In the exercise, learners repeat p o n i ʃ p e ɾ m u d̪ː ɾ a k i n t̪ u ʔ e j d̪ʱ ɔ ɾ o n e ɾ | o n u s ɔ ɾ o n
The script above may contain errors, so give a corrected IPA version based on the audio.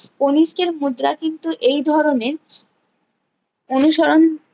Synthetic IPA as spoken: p o n i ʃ k e ɾ m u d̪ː ɾ a k i n t̪ u ʔ e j d̪ʱ ɔ ɾ o n e ɾ | o n u ʃ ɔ ɾ o n